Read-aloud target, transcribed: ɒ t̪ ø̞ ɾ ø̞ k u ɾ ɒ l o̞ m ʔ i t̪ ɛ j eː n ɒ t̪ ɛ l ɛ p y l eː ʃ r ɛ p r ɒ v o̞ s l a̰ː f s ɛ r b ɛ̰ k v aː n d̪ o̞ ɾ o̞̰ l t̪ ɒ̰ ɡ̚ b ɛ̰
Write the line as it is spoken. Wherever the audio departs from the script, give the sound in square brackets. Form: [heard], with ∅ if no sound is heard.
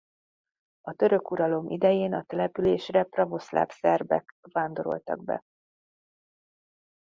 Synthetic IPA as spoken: ɒ t̪ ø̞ ɾ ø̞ k u ɾ ɒ l o̞ m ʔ i [d̪] ɛ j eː n ɒ t̪ ɛ l ɛ p y l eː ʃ r ɛ p r ɒ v o̞ s l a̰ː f s ɛ r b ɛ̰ k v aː n d̪ o̞ ɾ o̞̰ l t̪ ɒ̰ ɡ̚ b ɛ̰

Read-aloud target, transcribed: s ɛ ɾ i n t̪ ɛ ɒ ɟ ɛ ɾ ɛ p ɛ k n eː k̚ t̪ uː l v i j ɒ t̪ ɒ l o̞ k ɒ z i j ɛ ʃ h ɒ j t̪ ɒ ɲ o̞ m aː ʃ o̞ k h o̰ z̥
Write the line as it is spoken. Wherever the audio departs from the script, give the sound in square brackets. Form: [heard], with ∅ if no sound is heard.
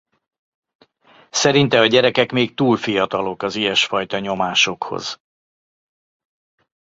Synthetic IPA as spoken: s ɛ ɾ i n t̪ ɛ ɒ ɟ ɛ ɾ ɛ [k] ɛ k [m] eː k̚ t̪ uː l [f] i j ɒ t̪ ɒ l o̞ k ɒ z i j ɛ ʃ [f] ɒ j t̪ ɒ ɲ o̞ m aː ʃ o̞ k h o̰ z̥

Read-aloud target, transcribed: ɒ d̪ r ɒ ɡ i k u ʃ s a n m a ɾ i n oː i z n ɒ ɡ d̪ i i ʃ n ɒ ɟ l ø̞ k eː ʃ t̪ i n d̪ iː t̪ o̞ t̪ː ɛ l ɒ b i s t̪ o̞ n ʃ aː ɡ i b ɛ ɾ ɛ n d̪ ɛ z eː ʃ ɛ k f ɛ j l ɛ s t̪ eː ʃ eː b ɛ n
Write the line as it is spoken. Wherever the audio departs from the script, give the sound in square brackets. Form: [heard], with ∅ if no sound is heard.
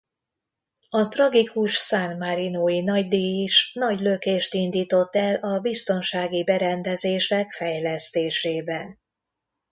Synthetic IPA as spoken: ɒ [t̪] r ɒ ɡ i k u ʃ s a n m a ɾ i n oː i [∅] n ɒ [ɟ] d̪ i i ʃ n ɒ ɟ l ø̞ k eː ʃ t̪ i n d̪ iː t̪ o̞ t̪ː ɛ l ɒ b i s t̪ o̞ n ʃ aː ɡ i b ɛ ɾ ɛ n d̪ ɛ z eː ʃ ɛ k f ɛ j l ɛ s t̪ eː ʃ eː b ɛ n

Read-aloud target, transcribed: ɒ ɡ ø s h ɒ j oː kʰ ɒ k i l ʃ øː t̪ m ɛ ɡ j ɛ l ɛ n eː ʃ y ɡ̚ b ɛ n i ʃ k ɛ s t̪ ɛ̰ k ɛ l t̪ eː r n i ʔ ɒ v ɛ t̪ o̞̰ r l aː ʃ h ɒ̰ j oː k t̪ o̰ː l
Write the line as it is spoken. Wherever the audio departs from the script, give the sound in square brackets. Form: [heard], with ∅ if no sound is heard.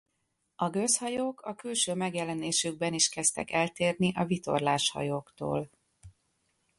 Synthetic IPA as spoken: ɒ ɡ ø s h ɒ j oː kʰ ɒ k [y] l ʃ øː [∅] m ɛ ɡ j ɛ l ɛ n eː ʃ y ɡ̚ b ɛ n i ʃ k ɛ s t̪ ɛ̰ k ɛ l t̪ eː r n i ʔ ɒ v [i] t̪ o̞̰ r l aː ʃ h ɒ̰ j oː k t̪ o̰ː l

